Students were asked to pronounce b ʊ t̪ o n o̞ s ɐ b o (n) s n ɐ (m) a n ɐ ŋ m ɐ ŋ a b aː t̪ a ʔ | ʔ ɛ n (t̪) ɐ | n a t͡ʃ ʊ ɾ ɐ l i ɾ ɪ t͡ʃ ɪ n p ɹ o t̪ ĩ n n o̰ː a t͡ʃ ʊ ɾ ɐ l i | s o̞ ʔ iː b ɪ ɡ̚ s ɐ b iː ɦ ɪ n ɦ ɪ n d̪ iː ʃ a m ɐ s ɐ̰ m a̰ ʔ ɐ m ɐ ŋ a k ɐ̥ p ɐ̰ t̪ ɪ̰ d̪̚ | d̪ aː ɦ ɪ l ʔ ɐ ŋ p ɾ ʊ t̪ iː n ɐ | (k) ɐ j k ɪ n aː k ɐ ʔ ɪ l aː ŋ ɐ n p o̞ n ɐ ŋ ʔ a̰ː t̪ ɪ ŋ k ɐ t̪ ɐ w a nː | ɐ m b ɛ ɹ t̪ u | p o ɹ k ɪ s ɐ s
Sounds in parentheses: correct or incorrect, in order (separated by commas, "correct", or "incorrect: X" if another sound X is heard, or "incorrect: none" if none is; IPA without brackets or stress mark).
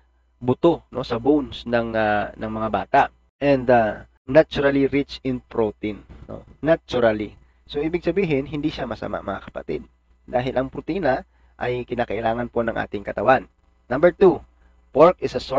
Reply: correct, incorrect: ŋ, incorrect: d̪, incorrect: ʔ